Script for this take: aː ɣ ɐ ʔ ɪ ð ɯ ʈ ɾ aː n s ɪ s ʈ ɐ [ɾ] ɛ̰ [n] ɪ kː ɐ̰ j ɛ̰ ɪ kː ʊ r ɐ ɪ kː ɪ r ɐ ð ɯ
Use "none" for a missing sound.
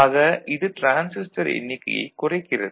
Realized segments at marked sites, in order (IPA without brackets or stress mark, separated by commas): ɾ, nː